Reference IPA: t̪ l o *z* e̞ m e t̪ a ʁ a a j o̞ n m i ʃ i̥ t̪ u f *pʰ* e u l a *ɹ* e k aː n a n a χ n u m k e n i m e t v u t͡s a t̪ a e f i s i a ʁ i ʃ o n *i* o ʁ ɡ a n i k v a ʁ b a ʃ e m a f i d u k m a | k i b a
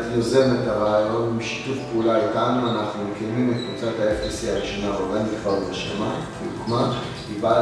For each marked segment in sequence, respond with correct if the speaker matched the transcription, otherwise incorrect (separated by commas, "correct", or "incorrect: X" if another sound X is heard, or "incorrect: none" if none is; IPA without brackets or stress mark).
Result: correct, incorrect: p, incorrect: l, incorrect: a